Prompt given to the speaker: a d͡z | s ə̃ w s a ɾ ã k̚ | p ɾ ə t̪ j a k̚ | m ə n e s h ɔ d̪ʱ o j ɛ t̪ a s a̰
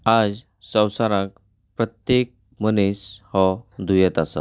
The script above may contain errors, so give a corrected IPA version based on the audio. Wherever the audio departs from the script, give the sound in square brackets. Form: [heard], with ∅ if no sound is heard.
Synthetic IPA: a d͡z | s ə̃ w s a ɾ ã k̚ | p ɾ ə t̪ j [e] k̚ | m ə n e s h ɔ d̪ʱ [u] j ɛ t̪ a s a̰

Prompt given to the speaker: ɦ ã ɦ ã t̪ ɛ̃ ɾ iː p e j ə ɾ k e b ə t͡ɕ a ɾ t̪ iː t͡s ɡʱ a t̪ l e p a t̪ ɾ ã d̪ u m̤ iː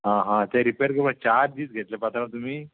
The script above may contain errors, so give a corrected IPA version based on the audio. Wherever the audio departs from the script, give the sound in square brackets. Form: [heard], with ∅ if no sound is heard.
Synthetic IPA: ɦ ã ɦ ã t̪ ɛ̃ ɾ [i] p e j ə ɾ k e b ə t͡ɕ a ɾ [d̪] iː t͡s ɡʱ [e] t̪ l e p a t̪ ɾ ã [t̪] u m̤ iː

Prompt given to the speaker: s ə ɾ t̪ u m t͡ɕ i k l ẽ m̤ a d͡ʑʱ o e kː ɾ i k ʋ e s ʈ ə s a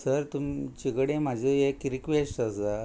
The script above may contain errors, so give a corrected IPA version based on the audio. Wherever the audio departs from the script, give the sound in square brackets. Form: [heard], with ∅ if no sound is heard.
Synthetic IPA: s ə ɾ t̪ u m t͡ɕ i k [ɽ] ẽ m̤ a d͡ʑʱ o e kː ɾ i k ʋ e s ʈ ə s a

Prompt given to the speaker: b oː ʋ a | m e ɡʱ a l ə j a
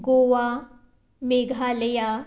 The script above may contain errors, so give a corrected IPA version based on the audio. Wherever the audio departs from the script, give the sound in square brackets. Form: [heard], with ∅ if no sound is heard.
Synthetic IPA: [ɡ] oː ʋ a | m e ɡʱ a l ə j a

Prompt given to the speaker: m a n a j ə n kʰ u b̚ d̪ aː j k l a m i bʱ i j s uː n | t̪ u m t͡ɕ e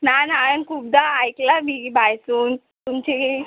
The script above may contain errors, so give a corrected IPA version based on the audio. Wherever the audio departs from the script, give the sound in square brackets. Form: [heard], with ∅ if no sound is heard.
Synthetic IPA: [n] a n a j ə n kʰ u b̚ d̪ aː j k l a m i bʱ [a] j s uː n | t̪ u m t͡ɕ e

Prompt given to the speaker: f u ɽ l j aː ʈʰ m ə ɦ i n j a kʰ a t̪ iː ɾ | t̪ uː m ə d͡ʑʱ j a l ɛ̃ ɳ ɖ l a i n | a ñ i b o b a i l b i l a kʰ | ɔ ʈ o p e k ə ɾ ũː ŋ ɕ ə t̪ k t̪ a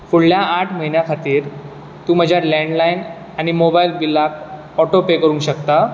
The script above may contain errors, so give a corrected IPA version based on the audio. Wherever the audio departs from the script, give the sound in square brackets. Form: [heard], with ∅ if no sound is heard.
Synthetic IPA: f u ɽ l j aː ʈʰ m ə ɦ i n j a kʰ a t̪ iː ɾ | t̪ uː m ə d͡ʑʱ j a l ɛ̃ ɳ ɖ l a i n | a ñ i [m] o b a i l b i l a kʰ | ɔ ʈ o p e k ə ɾ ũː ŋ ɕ ə [∅] k t̪ a

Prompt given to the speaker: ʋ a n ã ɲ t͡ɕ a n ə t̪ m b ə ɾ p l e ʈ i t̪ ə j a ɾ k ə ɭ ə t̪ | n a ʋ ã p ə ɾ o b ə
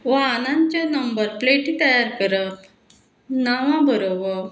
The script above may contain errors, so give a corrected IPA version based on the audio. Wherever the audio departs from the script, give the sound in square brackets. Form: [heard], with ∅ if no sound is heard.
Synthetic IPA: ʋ a n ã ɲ t͡ɕ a n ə [∅] m b ə ɾ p l e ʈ i t̪ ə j a ɾ k ə [ɾ] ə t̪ | n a ʋ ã [b] ə ɾ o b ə

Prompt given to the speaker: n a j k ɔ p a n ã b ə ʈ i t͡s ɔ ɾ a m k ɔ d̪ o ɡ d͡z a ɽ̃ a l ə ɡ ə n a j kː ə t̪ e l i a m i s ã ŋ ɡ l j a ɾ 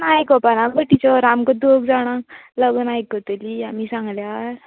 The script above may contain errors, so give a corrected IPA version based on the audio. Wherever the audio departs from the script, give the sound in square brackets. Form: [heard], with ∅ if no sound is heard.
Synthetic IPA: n a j k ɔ p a n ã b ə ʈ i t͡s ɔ ɾ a m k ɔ d̪ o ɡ d͡z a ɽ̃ a l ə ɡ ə n a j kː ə t̪ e l i a m i s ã ŋ ɡ l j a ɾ

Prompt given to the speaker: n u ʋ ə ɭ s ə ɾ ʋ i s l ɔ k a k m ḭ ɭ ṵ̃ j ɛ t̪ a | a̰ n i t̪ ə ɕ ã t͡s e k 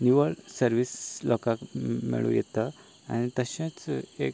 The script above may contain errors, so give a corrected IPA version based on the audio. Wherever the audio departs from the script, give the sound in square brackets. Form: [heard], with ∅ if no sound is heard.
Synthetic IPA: n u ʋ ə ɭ s ə ɾ ʋ i s l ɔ k a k m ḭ ɭ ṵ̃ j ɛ t̪ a | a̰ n i t̪ ə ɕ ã t͡s e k

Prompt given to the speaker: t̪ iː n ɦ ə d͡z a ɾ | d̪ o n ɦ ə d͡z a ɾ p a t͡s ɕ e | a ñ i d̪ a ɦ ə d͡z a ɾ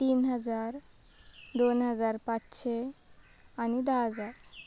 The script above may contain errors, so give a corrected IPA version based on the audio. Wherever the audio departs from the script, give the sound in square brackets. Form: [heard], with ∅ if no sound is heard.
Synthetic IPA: t̪ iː n ɦ ə d͡z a ɾ | d̪ o n ɦ ə d͡z a ɾ p a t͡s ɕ e | a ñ i d̪ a ɦ ə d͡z a ɾ

